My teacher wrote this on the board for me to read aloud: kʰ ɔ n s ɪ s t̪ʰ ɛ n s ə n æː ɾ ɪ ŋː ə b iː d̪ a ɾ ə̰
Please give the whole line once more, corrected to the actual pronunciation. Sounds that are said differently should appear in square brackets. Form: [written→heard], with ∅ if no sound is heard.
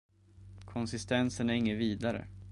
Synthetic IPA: kʰ ɔ n s ɪ s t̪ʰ ɛ n s ə n [æː→æ] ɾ ɪ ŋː ə [b→v] iː d̪ a ɾ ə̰